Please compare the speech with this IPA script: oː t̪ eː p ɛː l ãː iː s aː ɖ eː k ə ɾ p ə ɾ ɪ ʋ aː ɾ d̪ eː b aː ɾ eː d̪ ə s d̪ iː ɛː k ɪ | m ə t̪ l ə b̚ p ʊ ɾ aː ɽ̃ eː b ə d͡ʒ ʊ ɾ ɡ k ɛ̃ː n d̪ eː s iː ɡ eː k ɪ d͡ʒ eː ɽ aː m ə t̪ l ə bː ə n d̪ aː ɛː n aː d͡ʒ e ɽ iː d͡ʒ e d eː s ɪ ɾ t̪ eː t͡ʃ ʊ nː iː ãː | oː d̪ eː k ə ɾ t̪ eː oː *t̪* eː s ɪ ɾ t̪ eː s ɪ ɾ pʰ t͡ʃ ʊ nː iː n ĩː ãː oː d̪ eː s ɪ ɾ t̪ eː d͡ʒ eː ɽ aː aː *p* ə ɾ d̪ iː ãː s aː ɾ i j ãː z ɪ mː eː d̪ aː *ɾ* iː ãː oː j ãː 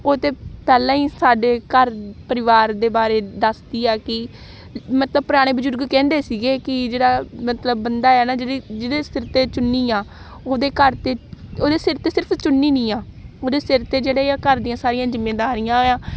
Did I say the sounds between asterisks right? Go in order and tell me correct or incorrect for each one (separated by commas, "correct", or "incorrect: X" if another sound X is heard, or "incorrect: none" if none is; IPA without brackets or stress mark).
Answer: incorrect: d̪, incorrect: k, correct